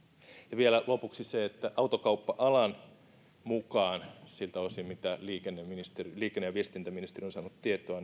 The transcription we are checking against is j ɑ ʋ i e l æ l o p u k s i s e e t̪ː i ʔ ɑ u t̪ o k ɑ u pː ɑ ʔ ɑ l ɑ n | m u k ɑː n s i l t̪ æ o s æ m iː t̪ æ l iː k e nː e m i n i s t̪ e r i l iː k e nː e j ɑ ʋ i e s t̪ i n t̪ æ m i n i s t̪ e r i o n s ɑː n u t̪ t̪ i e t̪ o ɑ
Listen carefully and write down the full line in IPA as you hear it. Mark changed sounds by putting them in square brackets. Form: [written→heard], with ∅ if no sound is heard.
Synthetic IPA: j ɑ ʋ i e l æ l o p u k s i s e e t̪ː [i→æ] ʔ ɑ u t̪ o k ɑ u pː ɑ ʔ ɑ l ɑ n | m u k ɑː n s i l t̪ æ o s [æ→i] m [iː→i] t̪ æ l iː k e nː e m i n i s t̪ e r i l iː k e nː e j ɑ ʋ i e s t̪ i n t̪ æ m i n i s t̪ e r i o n s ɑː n u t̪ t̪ i e t̪ o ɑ